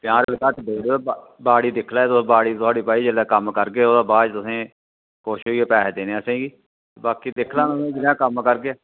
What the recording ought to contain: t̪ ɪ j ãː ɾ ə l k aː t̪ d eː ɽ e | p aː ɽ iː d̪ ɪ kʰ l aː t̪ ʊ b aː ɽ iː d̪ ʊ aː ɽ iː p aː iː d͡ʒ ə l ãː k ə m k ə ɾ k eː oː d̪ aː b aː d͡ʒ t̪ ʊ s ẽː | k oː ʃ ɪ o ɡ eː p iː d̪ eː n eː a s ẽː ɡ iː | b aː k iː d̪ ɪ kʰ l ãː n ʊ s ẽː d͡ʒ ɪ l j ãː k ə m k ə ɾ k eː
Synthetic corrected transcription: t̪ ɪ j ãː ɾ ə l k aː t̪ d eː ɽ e | b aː ɽ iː d̪ ɪ kʰ l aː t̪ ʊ b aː ɽ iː t̪ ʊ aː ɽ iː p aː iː d͡ʒ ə l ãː k ə m k ə ɾ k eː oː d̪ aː b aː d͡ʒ t̪ ʊ s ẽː | k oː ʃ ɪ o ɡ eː p ɛː d̪ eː n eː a s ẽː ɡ iː | b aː k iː d̪ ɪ kʰ l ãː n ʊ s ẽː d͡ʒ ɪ l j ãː k ə m k ə ɾ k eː